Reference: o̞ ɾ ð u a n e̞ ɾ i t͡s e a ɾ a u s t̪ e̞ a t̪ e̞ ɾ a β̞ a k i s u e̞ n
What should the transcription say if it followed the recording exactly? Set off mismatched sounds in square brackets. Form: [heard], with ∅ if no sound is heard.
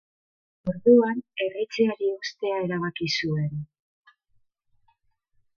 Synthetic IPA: o̞ ɾ ð u a n e̞ [r] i t͡s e a ɾ [i] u s t̪ e̞ a [∅] e̞ ɾ a β̞ a k i s u e̞ n

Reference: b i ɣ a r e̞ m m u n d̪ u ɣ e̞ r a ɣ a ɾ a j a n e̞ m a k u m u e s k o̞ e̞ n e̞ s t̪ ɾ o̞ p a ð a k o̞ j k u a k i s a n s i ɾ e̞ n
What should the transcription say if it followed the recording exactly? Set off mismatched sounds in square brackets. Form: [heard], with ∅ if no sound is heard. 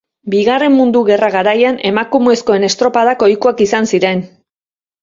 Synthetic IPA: b i ɣ a r e̞ m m u n d̪ u ɣ e̞ r a ɣ a ɾ a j a n e̞ m a k u m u e s k o̞ e̞ n e̞ s t̪ ɾ o̞ p a ð a k o̞ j k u a k i s a n s i ɾ e̞ n

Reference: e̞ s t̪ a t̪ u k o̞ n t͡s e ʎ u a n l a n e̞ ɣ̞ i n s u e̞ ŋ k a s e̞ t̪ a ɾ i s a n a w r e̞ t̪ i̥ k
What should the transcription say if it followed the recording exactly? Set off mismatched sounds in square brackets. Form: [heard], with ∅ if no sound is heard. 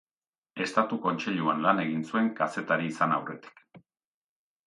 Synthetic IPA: e̞ s t̪ a t̪ u k o̞ n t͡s e ʎ u a n l a n e̞ ɣ̞ i n s u e̞ ŋ k a s e̞ t̪ a ɾ [iː] s a n a w r e̞ t̪ i̥ k

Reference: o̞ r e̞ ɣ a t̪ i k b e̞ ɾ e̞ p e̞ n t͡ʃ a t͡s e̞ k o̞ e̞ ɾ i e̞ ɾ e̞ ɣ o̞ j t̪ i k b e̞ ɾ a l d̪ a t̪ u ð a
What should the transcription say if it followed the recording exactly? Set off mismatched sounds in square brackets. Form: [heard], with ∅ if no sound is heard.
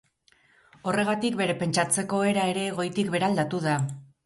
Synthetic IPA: o̞ r e̞ ɣ a t̪ i k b e̞ ɾ e̞ p e̞ n t͡ʃ a t͡s e̞ k o̞ e̞ ɾ [a] e̞ ɾ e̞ ɣ o̞ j t̪ i k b e̞ ɾ a l d̪ a t̪ u ð a

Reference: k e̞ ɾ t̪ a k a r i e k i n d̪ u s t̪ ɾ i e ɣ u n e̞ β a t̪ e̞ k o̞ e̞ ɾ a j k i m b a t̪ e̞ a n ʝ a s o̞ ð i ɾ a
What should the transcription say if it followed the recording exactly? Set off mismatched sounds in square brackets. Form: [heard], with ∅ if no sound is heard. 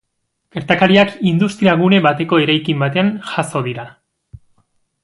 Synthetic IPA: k e̞ ɾ t̪ a k a [ɾ] i [a] k i n d̪ u s t̪ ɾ i [a] ɣ u n e̞ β a t̪ e̞ k o̞ e̞ ɾ a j k i m b a t̪ e̞ a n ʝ a s o̞ ð i ɾ a

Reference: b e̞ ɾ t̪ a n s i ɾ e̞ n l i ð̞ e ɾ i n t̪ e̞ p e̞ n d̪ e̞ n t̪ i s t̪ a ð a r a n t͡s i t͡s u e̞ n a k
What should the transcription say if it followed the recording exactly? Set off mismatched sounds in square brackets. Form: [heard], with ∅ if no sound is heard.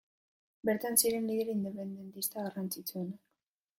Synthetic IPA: b e̞ ɾ t̪ a n s i ɾ e̞ n l i ð̞ e ɾ i n [d̪] e̞ p e̞ n d̪ e̞ n t̪ i s t̪ a [ɣ] a r a n t͡s i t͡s u e̞ n a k

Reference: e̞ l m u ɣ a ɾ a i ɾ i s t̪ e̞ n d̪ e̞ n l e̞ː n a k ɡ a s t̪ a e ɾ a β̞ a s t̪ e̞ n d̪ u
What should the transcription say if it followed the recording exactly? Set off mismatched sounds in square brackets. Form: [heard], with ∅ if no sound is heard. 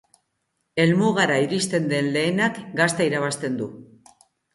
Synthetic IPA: e̞ l m u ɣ a ɾ a i ɾ i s t̪ e̞ n d̪ e̞ n l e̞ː n a k ɡ a s t̪ a [i] ɾ a β̞ a s t̪ e̞ n d̪ u

